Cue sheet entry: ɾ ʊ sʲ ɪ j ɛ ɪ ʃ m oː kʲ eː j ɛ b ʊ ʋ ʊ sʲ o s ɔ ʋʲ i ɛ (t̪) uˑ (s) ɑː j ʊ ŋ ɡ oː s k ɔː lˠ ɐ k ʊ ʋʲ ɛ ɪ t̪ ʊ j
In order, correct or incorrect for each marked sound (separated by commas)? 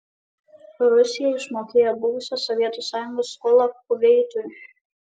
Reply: correct, correct